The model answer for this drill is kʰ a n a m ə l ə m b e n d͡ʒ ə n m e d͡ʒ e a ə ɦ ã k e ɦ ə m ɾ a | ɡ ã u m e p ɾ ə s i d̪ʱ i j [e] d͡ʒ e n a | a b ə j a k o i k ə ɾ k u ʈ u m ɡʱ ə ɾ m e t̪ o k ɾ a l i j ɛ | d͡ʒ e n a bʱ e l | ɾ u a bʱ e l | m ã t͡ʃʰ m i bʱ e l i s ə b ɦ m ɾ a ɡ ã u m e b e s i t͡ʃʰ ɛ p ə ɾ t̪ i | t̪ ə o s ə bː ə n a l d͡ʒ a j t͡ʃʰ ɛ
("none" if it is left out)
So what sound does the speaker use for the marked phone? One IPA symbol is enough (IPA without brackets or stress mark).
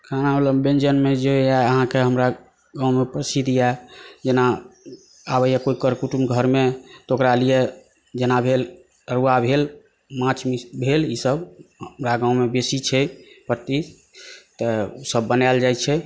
a